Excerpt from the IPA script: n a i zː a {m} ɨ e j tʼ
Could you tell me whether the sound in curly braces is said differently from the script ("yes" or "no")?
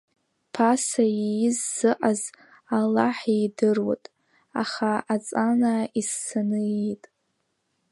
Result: yes